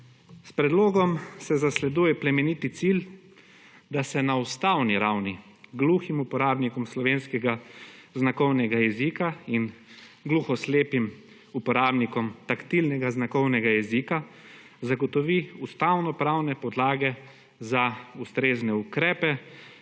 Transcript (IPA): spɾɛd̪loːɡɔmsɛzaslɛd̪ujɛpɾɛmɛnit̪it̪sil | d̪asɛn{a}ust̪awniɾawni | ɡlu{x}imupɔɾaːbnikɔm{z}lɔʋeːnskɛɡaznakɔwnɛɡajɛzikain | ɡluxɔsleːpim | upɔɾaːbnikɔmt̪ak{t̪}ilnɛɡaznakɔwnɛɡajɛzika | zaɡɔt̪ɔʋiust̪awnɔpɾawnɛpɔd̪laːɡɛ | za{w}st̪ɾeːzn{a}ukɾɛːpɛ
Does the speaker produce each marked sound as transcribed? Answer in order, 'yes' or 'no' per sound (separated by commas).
yes, yes, no, yes, no, no